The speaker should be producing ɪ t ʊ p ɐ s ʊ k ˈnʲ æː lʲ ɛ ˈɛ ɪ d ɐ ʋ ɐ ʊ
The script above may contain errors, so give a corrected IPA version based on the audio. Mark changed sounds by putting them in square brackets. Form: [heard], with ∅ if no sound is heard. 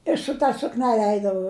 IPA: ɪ [s] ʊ [t] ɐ s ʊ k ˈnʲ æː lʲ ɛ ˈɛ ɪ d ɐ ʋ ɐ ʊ